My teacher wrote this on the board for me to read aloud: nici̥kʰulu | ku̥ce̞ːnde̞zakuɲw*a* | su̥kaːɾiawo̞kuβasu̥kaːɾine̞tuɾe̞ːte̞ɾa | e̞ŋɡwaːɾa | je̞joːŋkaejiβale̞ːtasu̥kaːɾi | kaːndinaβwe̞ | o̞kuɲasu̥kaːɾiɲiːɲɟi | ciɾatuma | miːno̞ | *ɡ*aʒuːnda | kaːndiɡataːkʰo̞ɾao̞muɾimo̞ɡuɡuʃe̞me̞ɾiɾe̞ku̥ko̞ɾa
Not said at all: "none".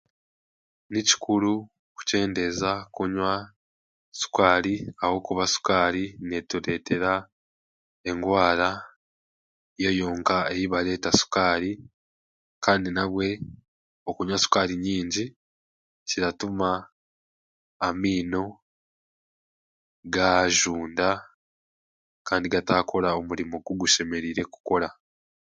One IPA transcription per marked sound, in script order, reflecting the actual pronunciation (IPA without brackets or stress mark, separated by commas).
a, ɡ